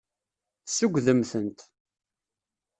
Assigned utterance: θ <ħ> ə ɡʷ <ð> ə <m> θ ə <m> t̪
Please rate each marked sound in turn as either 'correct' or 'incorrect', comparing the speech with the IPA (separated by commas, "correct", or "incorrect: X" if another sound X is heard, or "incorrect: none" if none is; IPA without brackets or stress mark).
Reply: incorrect: s, correct, correct, incorrect: n